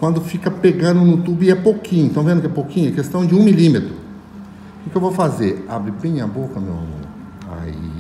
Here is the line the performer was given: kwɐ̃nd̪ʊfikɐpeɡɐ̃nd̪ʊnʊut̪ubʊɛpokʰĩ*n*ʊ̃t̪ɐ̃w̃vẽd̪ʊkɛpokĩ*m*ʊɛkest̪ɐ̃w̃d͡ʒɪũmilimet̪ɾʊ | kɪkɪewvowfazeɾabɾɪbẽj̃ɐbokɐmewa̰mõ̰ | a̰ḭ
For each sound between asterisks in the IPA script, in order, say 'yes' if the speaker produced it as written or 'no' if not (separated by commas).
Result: no, no